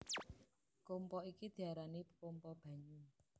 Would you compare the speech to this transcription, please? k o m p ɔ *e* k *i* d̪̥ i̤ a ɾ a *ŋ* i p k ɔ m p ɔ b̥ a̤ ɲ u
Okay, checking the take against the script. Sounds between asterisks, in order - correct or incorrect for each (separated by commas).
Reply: incorrect, correct, incorrect